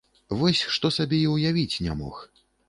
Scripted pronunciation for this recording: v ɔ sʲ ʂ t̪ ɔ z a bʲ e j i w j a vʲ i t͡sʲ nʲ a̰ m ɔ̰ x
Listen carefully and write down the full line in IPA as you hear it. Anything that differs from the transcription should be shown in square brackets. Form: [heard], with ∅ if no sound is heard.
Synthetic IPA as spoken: v ɔ sʲ ʂ t̪ ɔ [s] a bʲ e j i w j a vʲ i t͡sʲ nʲ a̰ m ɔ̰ x

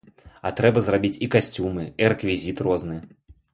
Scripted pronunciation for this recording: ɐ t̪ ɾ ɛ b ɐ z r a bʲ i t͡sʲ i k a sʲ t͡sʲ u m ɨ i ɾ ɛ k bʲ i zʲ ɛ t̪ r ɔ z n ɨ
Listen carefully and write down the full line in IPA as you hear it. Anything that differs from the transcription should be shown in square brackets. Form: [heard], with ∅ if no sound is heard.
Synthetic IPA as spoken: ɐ t̪ ɾ ɛ b ɐ z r a bʲ i t͡sʲ i k a sʲ t͡sʲ u m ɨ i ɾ ɛ k [vʲ] i zʲ [i] t̪ r ɔ z n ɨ

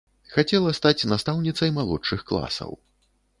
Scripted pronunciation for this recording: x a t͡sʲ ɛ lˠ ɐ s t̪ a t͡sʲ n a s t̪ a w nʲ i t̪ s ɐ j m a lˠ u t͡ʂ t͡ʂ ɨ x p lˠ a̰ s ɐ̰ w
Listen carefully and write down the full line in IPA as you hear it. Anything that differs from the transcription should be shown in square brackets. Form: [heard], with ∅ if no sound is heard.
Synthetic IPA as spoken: x a t͡sʲ ɛ lˠ ɐ s t̪ a t͡sʲ n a s t̪ a w nʲ i t̪ s ɐ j m a lˠ [ɔ] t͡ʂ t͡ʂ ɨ x [k] lˠ a̰ s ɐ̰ w

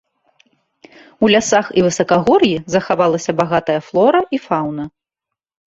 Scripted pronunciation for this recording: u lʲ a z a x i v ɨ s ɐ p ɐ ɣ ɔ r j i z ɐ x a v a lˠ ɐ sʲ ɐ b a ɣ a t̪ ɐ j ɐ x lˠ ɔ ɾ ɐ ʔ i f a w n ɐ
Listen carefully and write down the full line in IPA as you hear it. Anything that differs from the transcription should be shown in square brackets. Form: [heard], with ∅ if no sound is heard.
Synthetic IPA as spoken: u lʲ a [s] a x i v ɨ s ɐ [k] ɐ ɣ ɔ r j i z ɐ x a v a lˠ ɐ sʲ ɐ b a ɣ a t̪ ɐ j ɐ [f] lˠ ɔ ɾ ɐ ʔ i f a w n ɐ

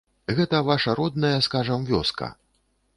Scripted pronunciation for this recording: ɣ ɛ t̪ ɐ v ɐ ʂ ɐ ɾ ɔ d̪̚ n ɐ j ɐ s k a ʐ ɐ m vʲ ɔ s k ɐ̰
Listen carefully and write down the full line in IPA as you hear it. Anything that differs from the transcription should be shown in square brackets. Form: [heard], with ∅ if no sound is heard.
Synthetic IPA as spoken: ɣ ɛ t̪ ɐ v [a] ʂ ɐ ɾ ɔ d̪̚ n ɐ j ɐ s k a ʐ ɐ m vʲ ɔ s k ɐ̰

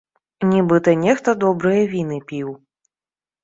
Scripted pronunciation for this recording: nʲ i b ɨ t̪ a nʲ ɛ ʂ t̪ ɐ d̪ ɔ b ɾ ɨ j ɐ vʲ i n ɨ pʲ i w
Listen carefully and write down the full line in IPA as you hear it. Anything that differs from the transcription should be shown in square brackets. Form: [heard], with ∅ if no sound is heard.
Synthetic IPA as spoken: nʲ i b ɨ t̪ [ɐ] nʲ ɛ [x] t̪ ɐ d̪ ɔ b ɾ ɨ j ɐ vʲ i n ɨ pʲ i w

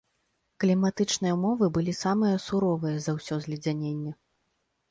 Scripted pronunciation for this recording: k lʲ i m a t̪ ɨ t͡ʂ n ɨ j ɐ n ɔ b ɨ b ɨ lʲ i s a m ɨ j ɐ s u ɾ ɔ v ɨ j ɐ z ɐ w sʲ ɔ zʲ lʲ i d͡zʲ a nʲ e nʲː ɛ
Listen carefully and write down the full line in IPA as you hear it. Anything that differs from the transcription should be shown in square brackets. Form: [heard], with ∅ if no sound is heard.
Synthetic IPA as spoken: k lʲ i m a t̪ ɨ t͡ʂ n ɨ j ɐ [m] ɔ [v] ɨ b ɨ lʲ i s a m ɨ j ɐ s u ɾ ɔ v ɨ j ɐ z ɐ w sʲ ɔ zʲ lʲ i d͡zʲ a nʲ e nʲː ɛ

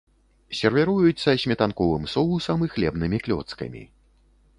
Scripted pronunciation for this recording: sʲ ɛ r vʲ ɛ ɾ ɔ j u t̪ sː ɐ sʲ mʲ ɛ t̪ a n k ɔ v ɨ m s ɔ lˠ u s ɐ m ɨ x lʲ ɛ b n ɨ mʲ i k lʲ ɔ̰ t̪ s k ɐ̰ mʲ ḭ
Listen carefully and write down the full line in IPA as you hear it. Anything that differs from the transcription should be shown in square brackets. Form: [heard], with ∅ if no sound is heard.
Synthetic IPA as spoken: sʲ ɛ r vʲ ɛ ɾ [u] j u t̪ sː ɐ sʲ mʲ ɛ t̪ a n k ɔ v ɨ m s ɔ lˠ u s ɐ m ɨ x lʲ ɛ b n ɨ mʲ i k lʲ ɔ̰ t̪ s k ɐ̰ mʲ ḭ

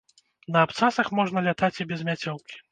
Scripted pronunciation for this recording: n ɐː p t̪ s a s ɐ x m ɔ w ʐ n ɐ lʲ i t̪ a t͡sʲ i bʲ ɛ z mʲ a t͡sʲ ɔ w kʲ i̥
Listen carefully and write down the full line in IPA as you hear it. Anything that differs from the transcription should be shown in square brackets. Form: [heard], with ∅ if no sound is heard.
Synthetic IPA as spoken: n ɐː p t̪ s a s ɐ x m ɔ [∅] ʐ n ɐ lʲ [a] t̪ a t͡sʲ i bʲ ɛ z mʲ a t͡sʲ ɔ w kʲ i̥

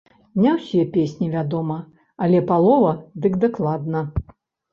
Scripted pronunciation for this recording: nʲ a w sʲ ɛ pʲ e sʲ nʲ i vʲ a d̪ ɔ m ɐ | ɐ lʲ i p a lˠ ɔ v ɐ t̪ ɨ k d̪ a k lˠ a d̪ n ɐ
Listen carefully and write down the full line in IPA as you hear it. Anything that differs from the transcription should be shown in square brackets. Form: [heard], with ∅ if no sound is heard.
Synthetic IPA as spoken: nʲ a w sʲ ɛ pʲ e sʲ nʲ i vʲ a d̪ ɔ m ɐ | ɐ lʲ [ɛ] p a lˠ ɔ v ɐ [d̪] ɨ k d̪ a k lˠ a d̪ n ɐ

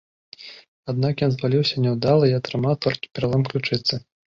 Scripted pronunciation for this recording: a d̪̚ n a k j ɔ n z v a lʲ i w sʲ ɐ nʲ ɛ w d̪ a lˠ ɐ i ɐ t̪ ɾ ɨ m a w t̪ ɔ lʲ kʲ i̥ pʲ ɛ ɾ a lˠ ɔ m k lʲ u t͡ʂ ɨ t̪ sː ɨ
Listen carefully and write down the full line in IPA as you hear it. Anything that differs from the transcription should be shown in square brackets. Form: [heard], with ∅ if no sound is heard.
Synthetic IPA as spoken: a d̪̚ n a k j ɔ n z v a lʲ i w sʲ ɐ nʲ ɛ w d̪ a lˠ ɐ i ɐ t̪ ɾ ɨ m a w t̪ ɔ lʲ kʲ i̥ pʲ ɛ ɾ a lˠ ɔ m k lʲ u t͡ʂ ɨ t̪ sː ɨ

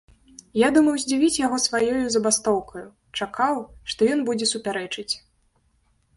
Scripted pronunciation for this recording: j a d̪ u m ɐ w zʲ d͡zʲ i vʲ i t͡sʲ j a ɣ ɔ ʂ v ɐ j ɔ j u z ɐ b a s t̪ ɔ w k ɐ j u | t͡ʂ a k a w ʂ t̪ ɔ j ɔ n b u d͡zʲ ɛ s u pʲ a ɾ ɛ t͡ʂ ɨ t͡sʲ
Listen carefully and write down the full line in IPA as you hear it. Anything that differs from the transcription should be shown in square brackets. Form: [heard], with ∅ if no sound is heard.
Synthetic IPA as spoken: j a d̪ u m ɐ w zʲ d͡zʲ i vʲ i t͡sʲ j a ɣ ɔ [s] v [a] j ɔ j u z ɐ b a s t̪ ɔ w k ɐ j u | t͡ʂ a k a w ʂ t̪ ɔ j ɔ n b u d͡zʲ ɛ s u pʲ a ɾ ɛ t͡ʂ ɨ t͡sʲ

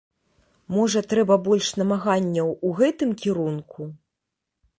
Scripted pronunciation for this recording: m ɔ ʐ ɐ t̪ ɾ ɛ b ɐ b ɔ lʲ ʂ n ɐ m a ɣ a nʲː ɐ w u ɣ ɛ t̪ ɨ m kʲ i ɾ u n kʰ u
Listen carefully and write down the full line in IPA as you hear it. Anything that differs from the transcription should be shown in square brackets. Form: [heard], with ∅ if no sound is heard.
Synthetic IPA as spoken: m ɔ ʐ ɐ t̪ ɾ ɛ b ɐ b ɔ lʲ ʂ n ɐ m a ɣ a nʲː ɐ w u ɣ ɛ t̪ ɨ m kʲ i ɾ u n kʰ u

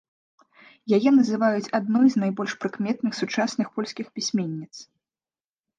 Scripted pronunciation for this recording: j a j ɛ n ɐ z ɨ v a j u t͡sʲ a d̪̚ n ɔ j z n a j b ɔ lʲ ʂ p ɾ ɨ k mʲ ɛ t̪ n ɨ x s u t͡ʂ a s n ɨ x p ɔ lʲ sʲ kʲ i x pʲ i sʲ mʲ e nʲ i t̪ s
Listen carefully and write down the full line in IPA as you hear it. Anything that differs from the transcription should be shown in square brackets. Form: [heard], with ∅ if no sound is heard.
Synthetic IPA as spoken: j a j ɛ n ɐ z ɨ v a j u t͡sʲ a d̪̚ n ɔ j z n a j b ɔ lʲ ʂ p ɾ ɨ k mʲ ɛ t̪ n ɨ x s u t͡ʂ a s n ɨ x p ɔ lʲ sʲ kʲ i x pʲ i sʲ mʲ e [nʲː] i t̪ s

